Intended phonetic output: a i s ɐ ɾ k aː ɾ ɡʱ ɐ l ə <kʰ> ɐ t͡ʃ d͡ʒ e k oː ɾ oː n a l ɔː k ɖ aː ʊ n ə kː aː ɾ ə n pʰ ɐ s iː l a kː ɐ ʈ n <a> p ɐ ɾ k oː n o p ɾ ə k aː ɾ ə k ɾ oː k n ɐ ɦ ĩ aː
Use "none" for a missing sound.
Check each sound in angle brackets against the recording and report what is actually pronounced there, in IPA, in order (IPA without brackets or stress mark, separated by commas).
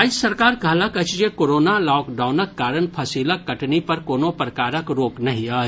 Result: k, i